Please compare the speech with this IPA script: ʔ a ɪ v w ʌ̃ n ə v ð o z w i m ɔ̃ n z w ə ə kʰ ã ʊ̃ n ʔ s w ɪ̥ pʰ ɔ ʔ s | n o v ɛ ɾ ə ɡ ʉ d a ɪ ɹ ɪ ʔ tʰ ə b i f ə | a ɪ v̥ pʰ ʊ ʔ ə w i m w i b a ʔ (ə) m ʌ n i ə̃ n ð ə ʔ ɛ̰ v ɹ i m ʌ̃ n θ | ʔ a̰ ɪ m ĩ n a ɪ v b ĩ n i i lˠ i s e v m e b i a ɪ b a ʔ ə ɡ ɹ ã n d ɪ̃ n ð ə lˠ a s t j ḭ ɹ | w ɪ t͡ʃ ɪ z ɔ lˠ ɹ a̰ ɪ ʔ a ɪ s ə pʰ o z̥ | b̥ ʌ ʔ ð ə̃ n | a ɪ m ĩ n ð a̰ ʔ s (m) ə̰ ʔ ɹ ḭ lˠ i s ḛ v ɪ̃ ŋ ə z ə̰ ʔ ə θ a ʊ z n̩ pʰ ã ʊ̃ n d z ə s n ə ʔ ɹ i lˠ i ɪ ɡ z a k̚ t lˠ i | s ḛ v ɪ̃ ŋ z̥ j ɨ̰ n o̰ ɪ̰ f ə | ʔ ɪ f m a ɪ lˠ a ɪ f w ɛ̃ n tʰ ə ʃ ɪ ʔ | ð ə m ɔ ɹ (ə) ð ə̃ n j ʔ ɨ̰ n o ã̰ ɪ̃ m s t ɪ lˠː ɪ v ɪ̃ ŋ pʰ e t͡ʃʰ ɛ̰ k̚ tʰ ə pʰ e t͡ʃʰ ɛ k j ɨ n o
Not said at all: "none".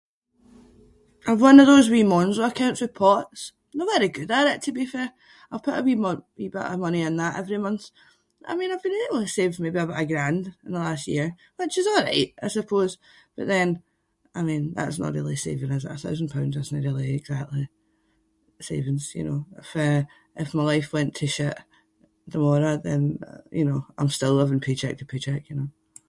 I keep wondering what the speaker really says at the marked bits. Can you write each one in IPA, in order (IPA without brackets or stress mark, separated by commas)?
ə, n, ə